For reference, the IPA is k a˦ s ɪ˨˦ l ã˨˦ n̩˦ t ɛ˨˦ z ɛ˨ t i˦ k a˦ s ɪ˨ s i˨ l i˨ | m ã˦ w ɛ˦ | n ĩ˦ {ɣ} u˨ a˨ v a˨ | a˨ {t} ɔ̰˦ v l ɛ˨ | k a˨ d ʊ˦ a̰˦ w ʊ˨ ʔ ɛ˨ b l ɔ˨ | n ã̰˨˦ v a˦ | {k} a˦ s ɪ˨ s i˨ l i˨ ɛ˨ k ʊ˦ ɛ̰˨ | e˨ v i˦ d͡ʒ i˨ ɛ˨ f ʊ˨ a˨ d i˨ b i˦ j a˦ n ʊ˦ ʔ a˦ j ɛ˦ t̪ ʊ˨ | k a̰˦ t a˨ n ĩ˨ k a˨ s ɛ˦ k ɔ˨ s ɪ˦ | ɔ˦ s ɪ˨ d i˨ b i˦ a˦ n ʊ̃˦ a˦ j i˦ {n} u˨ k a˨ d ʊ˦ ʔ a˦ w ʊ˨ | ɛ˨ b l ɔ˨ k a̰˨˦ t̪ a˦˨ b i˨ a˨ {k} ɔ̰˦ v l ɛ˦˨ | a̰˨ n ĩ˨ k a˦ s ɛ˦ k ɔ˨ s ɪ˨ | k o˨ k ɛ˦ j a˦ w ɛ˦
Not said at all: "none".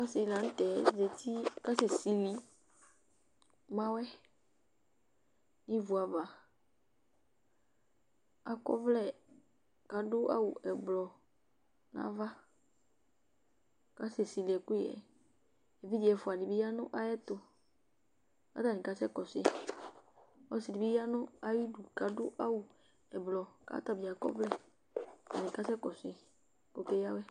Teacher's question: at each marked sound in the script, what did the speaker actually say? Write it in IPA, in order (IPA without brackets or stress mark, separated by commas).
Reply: v, k, k, d, k